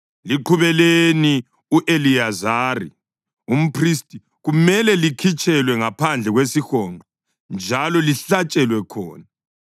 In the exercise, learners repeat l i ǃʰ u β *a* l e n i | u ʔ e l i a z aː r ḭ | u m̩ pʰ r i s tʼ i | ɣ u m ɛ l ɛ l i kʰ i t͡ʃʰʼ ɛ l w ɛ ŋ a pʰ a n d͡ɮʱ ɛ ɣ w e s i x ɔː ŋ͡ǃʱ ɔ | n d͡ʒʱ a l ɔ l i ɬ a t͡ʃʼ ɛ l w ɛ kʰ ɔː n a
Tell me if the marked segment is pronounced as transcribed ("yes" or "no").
no